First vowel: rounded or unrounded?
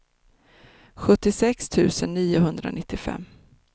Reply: rounded